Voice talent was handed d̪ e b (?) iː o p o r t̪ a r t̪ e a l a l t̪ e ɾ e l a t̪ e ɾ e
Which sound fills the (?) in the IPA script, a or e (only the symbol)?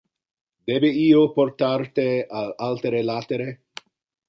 e